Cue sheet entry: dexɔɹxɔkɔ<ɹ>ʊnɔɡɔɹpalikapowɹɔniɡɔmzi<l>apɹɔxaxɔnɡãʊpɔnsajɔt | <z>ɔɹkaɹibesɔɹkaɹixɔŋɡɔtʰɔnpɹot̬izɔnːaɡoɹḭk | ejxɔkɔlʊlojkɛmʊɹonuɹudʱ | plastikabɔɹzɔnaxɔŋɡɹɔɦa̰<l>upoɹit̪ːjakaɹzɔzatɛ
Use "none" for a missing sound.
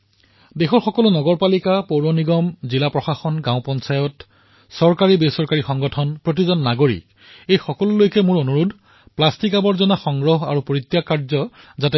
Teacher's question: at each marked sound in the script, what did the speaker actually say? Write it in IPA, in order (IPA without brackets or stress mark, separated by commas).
l, l, s, ɹ